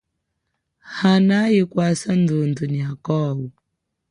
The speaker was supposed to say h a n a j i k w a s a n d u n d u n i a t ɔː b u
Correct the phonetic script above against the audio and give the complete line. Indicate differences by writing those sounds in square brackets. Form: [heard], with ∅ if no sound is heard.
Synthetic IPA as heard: h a n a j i k w a s a n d u n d u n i a [k] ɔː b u